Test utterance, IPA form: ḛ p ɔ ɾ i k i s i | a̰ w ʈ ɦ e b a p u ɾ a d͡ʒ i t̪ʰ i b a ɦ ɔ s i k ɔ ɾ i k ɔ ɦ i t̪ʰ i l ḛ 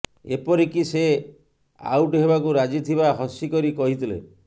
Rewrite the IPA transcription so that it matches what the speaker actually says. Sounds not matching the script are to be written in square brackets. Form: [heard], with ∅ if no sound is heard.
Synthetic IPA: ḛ p ɔ ɾ i k i s [e] | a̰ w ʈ ɦ e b a [k] u ɾ a d͡ʒ i t̪ʰ i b a ɦ ɔ s i k ɔ ɾ i k ɔ ɦ i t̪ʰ i l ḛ